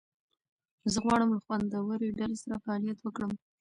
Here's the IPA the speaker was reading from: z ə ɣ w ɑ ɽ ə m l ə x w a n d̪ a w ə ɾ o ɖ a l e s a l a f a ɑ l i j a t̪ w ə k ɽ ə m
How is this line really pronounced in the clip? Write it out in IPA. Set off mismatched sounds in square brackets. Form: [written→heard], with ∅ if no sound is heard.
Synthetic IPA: z ə ɣ w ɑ ɽ ə m l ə x w a n d̪ a w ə ɾ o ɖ a l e s a [l→ɾ] a f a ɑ l i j a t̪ w ə k ɽ ə m